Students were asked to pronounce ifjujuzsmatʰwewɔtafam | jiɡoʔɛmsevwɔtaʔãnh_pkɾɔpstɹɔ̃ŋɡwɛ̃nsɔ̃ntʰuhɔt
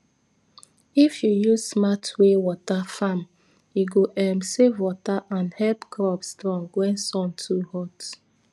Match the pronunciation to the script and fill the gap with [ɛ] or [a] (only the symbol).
ɛ